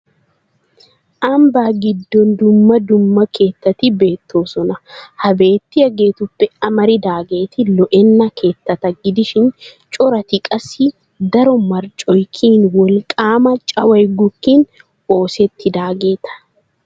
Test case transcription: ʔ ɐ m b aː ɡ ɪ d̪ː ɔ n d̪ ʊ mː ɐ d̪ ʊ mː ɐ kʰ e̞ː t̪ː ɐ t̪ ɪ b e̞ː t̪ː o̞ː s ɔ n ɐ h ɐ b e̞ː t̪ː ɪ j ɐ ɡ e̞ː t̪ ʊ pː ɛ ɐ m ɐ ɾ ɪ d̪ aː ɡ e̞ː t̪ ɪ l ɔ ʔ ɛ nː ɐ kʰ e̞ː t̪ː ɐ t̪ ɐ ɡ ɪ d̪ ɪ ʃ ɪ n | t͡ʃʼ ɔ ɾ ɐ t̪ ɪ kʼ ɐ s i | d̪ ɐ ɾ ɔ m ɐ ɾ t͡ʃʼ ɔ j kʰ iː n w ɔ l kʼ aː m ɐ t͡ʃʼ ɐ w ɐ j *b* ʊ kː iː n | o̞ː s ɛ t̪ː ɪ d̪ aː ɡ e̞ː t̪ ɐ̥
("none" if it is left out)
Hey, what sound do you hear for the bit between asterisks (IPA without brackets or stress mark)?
ɡ